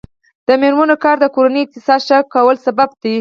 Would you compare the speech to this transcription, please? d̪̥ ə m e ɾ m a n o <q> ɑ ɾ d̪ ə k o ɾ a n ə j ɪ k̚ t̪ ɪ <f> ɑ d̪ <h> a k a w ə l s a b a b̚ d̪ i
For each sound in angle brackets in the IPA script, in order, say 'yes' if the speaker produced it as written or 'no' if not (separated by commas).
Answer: no, no, no